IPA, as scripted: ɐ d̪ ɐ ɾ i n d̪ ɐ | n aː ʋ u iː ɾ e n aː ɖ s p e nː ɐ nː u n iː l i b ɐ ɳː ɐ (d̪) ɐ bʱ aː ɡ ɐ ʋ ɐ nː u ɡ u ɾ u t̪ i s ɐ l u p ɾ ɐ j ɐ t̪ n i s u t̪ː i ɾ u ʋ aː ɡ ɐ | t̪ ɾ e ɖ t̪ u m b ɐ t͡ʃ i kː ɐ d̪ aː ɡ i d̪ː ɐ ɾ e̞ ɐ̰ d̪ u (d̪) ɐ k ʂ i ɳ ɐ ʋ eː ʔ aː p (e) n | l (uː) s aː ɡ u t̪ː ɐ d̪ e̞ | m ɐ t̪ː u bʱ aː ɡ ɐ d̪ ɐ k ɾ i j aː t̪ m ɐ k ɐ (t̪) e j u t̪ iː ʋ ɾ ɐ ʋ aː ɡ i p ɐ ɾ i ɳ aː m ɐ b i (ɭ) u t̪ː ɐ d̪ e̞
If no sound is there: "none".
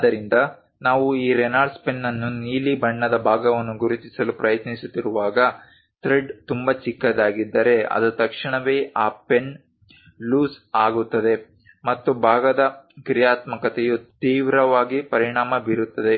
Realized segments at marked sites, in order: d̪, t̪, e, uː, t̪, ɾ

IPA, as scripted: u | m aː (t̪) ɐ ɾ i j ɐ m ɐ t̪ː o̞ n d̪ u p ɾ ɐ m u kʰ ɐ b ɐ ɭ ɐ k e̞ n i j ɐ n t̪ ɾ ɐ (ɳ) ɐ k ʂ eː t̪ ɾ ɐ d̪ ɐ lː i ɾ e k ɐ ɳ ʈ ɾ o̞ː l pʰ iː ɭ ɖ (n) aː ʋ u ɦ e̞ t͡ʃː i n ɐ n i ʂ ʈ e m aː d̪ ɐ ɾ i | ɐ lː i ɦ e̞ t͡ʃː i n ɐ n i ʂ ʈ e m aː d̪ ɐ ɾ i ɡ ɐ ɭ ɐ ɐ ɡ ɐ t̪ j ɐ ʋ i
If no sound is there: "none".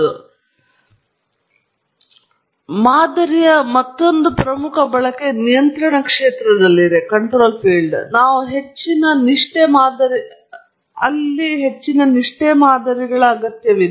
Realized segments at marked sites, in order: d̪, ɳ, n

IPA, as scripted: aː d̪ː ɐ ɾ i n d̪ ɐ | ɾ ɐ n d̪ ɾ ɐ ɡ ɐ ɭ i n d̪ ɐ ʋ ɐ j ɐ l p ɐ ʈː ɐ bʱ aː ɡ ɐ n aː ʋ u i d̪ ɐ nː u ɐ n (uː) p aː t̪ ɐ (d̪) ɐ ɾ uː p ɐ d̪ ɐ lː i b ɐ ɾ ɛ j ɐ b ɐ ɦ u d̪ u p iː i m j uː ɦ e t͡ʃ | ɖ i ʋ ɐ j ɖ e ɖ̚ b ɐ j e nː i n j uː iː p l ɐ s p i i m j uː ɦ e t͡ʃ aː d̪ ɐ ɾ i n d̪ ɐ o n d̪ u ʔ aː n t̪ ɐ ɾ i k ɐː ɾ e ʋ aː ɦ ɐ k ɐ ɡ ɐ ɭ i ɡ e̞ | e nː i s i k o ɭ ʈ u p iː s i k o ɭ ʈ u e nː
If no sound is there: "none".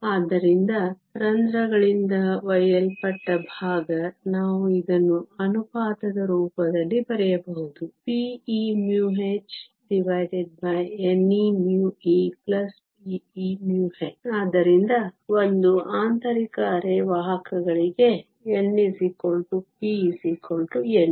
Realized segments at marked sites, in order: u, d̪

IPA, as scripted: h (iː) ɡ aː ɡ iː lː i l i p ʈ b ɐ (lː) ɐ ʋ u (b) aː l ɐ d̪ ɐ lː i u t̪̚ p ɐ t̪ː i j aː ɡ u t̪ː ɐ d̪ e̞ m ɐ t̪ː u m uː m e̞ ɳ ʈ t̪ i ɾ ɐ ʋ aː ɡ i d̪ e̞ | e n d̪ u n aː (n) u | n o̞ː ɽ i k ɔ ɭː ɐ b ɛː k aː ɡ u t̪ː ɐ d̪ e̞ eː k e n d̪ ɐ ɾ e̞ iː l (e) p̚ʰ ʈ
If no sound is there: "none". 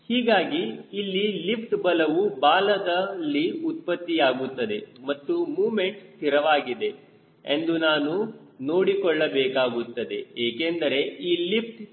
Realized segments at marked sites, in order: iː, l, b, n, i

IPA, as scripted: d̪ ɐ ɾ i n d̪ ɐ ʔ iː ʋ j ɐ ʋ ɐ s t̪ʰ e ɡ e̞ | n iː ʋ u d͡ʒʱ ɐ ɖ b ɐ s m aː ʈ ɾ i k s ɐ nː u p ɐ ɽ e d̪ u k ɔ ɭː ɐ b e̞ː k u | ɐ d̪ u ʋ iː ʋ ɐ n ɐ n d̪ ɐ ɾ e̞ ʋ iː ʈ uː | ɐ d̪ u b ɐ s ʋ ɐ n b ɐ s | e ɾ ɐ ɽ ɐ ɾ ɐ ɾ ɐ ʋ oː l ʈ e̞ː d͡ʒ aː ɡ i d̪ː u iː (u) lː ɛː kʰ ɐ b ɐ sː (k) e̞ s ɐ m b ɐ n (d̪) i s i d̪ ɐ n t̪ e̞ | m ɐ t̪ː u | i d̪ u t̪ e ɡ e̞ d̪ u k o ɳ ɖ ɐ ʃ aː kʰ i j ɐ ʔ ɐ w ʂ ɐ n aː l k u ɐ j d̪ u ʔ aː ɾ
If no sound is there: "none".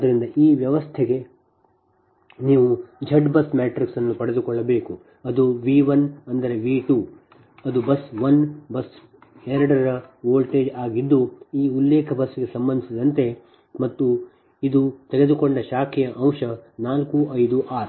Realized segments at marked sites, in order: u, ɡ, d̪

